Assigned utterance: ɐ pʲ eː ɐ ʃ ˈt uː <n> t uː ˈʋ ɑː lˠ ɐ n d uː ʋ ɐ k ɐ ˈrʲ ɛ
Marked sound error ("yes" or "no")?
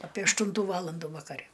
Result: no